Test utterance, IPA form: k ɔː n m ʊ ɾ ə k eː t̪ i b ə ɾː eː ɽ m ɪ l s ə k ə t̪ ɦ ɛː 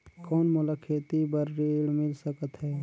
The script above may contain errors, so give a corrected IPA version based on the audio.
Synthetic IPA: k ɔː n m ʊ l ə kʰ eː t̪ i b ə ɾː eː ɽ m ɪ l s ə k ə t̪ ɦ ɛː